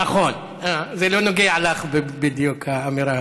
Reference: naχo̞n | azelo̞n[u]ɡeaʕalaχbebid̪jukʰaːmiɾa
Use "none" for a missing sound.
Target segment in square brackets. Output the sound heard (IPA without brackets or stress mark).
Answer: o